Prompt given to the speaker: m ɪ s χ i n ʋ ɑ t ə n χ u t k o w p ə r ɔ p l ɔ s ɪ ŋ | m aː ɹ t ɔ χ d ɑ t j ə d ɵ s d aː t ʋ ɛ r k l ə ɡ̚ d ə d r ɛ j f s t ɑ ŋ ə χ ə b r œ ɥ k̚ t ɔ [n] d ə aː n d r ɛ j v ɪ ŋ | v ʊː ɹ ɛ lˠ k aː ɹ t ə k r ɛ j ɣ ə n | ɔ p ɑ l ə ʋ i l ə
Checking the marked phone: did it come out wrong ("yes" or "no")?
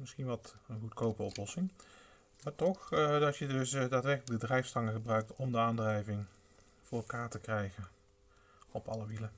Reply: yes